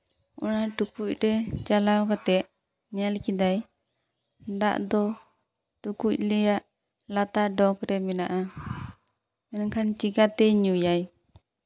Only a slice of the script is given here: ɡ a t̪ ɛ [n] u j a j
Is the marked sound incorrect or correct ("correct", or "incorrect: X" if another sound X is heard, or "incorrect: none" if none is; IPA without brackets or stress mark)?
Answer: incorrect: ɲ